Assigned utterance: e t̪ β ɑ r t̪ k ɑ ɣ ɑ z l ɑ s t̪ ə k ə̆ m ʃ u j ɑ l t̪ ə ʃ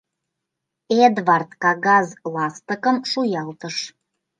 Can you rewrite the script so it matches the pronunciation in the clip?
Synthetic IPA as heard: e d̪ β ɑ r t̪ k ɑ ɣ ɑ z l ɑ s t̪ ə k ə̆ m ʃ u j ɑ l t̪ ə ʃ

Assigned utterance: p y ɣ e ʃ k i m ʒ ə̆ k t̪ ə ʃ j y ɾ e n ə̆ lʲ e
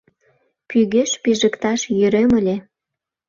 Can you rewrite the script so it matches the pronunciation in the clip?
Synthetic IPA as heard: p y ɣ e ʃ p i ʒ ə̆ k t̪ ɑ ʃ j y ɾ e m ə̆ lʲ e

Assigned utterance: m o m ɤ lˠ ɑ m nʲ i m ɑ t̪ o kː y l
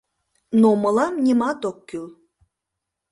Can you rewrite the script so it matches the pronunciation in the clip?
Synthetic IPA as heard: n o m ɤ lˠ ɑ m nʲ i m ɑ t̪ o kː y l

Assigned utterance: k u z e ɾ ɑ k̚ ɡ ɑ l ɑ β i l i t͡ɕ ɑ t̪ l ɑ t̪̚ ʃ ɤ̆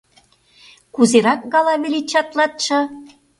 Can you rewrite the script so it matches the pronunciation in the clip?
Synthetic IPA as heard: k u z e ɾ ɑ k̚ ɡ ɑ l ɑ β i l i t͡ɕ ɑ t̪ l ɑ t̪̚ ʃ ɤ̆

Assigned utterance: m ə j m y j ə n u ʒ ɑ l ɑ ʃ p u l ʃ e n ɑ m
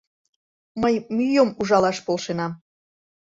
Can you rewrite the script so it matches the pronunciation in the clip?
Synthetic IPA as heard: m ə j m y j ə m u ʒ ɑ l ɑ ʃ p o l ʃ e n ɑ m

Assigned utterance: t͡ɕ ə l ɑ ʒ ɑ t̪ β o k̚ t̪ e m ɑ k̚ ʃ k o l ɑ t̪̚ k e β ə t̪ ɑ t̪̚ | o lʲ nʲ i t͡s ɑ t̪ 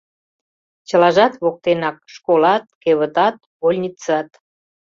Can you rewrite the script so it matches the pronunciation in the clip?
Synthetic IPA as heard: t͡ɕ ə l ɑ ʒ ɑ t̪ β o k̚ t̪ e n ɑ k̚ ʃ k o l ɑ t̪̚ k e β ə t̪ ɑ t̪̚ | o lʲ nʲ i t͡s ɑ t̪

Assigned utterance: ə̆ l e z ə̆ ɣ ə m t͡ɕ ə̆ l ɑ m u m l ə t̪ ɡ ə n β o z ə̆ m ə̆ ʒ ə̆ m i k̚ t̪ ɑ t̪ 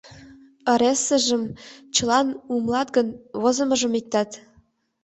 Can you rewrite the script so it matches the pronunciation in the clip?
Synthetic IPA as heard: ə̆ ɾ e s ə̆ ʒ ə m t͡ɕ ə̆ l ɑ n u m l ɑ t̪ ɡ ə n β o z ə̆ m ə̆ ʒ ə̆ m i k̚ t̪ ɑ t̪

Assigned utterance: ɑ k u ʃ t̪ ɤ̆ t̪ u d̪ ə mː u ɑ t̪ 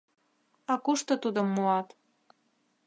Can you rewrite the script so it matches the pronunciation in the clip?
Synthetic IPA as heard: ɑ k u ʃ t̪ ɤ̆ t̪ u d̪ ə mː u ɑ t̪

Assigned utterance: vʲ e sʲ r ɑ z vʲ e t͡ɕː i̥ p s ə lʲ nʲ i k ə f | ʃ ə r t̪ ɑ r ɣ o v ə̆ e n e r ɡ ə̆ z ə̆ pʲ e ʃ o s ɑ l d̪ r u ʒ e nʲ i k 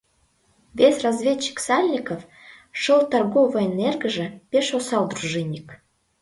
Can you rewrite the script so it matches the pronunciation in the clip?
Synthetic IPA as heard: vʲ e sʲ r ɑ z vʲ e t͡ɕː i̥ k s ɑ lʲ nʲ i k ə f | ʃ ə l t̪ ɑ r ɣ o v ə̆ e n e r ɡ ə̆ ʒ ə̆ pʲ e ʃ o s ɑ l d̪ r u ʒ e nʲ i k

